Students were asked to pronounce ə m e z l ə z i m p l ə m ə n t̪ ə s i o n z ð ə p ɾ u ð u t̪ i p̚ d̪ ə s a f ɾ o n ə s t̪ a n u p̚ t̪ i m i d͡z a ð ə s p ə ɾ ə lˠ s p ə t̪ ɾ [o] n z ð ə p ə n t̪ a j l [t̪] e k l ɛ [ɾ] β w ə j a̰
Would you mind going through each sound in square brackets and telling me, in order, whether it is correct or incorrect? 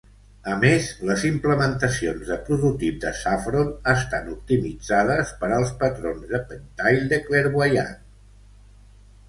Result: correct, incorrect, correct

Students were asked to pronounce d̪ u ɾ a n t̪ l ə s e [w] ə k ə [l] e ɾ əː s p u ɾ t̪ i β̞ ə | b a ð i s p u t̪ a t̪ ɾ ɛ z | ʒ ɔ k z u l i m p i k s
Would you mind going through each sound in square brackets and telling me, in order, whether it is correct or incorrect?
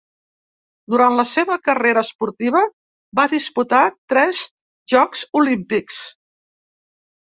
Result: incorrect, incorrect

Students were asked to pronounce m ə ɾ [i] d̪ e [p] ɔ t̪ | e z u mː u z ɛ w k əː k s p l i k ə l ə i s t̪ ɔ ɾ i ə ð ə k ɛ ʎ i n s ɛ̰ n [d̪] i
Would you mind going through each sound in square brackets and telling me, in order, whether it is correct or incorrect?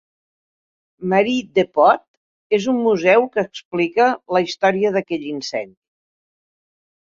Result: correct, correct, correct

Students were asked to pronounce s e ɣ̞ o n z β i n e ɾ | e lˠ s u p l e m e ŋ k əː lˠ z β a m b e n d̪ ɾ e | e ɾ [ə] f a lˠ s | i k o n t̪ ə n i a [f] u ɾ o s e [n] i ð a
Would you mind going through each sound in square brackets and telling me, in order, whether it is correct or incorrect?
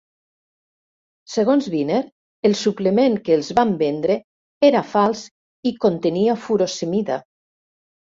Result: incorrect, correct, incorrect

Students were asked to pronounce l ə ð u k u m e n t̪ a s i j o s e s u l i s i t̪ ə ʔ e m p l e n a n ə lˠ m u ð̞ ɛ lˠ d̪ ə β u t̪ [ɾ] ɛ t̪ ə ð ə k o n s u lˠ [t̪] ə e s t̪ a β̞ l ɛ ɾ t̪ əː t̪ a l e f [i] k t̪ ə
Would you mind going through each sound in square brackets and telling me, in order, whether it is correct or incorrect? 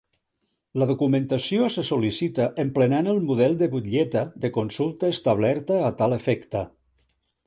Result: incorrect, correct, incorrect

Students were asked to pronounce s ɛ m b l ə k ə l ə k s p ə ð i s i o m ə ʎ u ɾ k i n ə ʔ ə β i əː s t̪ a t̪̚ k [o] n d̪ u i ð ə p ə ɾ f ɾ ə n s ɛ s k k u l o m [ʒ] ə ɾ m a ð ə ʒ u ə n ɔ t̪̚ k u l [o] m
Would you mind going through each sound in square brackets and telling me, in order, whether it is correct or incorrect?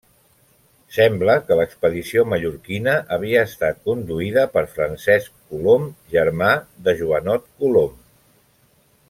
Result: incorrect, correct, correct

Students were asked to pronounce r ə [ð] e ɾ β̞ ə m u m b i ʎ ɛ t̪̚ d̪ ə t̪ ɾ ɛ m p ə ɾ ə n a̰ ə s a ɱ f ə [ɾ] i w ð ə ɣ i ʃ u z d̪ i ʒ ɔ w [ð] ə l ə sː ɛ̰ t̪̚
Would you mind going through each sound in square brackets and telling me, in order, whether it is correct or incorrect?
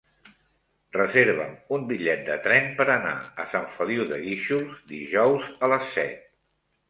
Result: incorrect, incorrect, incorrect

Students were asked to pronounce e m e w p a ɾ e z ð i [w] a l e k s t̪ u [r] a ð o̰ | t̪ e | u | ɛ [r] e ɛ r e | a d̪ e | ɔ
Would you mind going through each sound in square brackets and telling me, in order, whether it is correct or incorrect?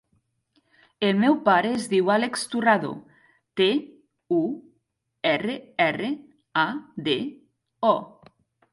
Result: correct, correct, correct

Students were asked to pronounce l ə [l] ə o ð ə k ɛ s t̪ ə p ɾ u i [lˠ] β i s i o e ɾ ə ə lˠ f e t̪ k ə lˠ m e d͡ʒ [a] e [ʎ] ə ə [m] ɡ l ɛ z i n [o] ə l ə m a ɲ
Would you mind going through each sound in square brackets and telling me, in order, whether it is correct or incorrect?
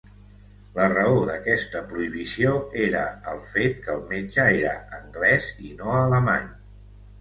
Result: incorrect, incorrect, incorrect, incorrect, incorrect, correct

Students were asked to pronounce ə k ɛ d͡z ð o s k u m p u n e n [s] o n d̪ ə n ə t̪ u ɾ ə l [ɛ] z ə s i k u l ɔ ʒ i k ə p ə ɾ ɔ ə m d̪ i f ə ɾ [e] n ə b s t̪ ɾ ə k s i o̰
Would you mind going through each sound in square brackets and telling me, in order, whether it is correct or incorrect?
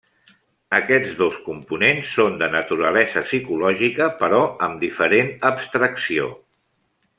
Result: incorrect, correct, correct

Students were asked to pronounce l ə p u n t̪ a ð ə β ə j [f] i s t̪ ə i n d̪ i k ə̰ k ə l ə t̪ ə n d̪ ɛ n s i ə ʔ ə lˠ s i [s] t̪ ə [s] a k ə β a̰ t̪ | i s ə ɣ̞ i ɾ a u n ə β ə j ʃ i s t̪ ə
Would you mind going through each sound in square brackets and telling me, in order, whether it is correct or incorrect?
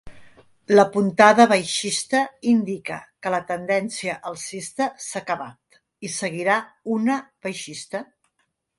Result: incorrect, correct, correct

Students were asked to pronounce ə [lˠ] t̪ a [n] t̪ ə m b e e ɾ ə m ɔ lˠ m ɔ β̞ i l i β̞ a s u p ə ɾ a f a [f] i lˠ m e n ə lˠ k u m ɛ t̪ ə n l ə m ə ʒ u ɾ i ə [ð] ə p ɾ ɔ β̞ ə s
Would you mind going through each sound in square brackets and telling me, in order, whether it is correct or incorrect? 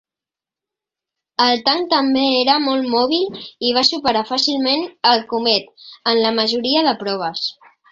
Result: correct, incorrect, incorrect, correct

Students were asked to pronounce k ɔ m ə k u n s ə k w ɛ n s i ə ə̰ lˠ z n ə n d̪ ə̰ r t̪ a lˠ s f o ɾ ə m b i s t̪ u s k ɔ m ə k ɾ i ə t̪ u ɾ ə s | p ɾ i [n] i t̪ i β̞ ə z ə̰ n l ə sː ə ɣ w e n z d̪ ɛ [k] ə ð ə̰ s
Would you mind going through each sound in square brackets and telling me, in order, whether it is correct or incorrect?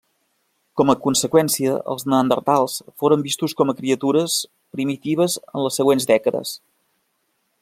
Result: incorrect, correct

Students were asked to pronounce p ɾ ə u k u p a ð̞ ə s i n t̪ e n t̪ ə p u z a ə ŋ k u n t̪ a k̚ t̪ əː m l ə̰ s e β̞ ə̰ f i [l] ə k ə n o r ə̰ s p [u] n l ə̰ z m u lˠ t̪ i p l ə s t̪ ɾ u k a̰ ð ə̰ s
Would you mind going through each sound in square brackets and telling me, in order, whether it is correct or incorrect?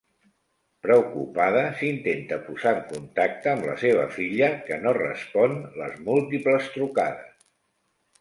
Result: incorrect, incorrect

